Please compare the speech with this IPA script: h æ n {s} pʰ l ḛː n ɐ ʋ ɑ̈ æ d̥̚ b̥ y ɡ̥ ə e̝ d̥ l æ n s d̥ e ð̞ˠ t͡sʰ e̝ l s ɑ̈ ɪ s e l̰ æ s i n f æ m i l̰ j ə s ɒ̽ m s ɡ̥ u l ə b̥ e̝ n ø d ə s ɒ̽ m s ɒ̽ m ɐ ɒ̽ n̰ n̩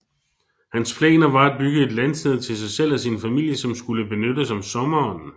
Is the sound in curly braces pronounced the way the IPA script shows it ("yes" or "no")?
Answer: yes